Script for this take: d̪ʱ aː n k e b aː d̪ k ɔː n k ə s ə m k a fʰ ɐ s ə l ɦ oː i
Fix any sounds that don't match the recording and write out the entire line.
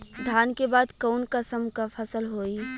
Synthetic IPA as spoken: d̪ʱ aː n k e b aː d̪ k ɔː n k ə s ə m k a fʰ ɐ s ə l ɦ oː i